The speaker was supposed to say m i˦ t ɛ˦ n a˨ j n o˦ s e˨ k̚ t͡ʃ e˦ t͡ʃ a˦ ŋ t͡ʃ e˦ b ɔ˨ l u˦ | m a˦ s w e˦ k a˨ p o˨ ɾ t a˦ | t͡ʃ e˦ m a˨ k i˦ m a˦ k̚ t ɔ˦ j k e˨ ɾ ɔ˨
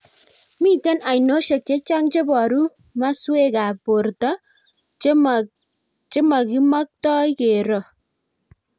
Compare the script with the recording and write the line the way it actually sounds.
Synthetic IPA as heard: m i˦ t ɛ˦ n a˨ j n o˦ ʃ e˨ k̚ t͡ʃ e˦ t͡ʃ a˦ ŋ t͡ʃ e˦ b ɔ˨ ɾ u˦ | m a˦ s w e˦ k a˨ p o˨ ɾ t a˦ | t͡ʃ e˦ m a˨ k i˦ m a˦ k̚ t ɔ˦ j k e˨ ɾ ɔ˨